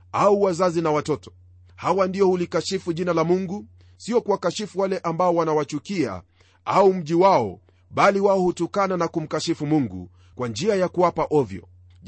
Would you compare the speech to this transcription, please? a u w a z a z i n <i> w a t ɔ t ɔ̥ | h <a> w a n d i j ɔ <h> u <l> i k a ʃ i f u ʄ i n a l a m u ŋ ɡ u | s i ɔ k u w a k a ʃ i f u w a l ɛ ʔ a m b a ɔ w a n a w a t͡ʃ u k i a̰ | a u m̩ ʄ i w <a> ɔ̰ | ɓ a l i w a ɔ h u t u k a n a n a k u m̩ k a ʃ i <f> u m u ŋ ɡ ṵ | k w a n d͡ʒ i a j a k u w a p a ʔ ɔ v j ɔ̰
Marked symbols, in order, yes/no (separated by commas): no, yes, yes, yes, yes, yes